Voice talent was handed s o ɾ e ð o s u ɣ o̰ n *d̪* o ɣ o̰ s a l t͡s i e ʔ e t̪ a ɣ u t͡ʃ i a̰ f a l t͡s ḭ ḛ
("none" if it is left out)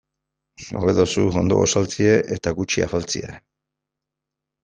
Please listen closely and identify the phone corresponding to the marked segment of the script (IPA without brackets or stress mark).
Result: d̪